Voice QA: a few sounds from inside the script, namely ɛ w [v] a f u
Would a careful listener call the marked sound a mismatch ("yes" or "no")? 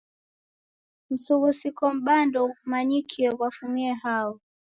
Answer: yes